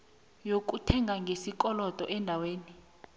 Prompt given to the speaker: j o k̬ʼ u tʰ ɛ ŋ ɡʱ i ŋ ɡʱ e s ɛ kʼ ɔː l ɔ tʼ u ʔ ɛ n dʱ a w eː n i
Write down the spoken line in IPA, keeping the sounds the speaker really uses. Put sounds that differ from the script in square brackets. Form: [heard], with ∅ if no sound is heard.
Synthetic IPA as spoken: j o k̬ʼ u tʰ ɛ ŋ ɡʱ [a] ŋ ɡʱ e s [i] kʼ [ɔ] l ɔ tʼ [ɔ] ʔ ɛ n dʱ a w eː n i

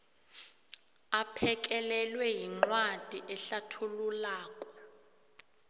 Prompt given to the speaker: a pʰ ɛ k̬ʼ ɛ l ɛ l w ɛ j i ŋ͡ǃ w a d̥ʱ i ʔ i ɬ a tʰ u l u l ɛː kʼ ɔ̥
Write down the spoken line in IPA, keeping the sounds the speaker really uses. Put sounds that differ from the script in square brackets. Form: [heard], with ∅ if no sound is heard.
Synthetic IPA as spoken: a pʰ ɛ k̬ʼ ɛ l ɛ l w ɛ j i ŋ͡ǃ w a d̥ʱ i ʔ [ɛ] ɬ a tʰ u l u l [aː] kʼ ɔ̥

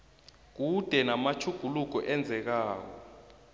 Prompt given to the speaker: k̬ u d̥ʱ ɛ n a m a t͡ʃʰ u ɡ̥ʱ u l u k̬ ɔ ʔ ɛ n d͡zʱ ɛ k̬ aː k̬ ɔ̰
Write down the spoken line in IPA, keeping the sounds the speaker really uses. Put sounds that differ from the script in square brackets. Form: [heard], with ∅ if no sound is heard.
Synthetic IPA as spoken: k̬ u d̥ʱ ɛ n a m a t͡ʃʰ u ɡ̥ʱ u l u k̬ ɔ ʔ ɛ n d͡zʱ ɛ k̬ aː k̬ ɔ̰

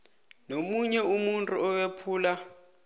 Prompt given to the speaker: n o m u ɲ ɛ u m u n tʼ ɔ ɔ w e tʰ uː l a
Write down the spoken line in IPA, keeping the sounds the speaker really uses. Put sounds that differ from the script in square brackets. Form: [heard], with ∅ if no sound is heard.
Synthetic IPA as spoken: n o m u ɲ ɛ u m u n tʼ [u] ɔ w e [pʰ] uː l a

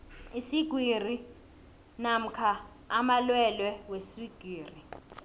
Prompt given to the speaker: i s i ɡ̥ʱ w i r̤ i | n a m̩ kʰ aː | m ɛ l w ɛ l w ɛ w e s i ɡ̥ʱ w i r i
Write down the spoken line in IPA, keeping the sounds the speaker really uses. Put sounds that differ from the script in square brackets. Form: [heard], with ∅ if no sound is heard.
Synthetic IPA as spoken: i s i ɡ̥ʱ w i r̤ i | n a m̩ kʰ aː | m [a] l w ɛ l w ɛ w e s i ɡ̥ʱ w [iː] r i

